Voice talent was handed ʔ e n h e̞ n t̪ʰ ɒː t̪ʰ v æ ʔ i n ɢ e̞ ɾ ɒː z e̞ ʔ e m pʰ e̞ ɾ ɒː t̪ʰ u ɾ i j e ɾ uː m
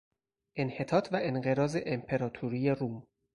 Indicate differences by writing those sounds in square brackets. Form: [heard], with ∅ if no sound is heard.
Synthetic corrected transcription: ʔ e n h e̞ [∅] t̪ʰ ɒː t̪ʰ v æ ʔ [e] n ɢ e̞ ɾ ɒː z e̞ ʔ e m pʰ e̞ ɾ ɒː t̪ʰ u ɾ i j e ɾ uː m